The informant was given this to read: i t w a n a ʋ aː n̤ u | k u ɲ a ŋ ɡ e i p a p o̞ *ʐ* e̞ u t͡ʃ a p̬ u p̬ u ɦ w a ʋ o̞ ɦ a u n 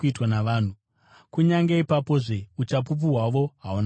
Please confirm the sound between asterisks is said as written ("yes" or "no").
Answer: yes